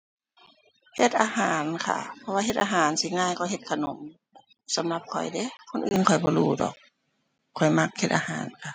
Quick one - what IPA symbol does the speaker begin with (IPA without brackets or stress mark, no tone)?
h